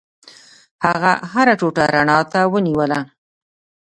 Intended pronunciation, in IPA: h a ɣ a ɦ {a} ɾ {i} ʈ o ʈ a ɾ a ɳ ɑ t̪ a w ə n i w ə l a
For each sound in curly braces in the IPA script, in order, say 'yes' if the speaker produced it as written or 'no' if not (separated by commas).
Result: yes, no